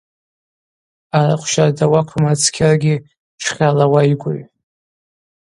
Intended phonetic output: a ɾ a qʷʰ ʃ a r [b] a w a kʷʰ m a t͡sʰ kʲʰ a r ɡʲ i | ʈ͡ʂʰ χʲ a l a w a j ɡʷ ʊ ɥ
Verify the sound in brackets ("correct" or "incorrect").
incorrect